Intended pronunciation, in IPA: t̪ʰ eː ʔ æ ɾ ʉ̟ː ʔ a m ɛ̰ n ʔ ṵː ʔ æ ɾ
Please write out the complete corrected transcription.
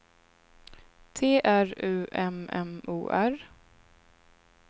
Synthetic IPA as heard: t̪ʰ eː ʔ æ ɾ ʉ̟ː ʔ ɛ m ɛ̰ m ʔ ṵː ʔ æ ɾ